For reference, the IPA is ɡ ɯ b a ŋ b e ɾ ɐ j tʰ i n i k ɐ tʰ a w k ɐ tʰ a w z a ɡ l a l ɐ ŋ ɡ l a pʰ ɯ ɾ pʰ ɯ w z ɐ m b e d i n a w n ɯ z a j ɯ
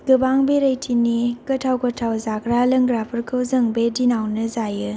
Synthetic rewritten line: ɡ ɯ b a ŋ b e ɾ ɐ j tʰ i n i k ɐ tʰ a w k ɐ tʰ a w z a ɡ ɾ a l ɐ ŋ ɡ ɾ a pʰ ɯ ɾ kʰ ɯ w z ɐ ŋ b e d i n a w n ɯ z a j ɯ